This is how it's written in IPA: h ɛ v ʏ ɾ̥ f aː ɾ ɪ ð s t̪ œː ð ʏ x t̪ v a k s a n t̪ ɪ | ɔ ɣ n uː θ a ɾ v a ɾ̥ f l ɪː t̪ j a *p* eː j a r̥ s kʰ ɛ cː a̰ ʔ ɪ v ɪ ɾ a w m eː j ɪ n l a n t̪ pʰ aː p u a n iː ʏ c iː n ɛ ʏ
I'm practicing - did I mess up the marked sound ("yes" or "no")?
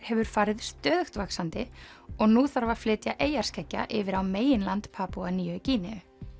yes